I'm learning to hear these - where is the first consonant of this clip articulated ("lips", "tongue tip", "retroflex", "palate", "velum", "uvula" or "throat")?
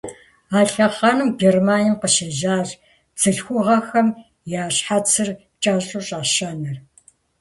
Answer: tongue tip